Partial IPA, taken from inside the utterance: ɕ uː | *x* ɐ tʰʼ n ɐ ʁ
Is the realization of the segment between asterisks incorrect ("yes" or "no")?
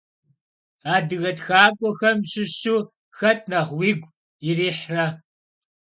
no